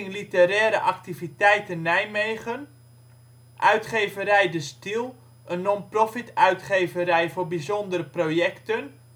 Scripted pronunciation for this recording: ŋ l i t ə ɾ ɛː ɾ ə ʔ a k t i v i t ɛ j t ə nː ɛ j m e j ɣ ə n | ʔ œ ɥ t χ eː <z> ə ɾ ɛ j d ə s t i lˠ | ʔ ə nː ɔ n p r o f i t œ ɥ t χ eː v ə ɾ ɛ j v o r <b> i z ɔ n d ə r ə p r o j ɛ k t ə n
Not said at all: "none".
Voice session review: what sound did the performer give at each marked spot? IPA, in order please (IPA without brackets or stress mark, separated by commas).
v, b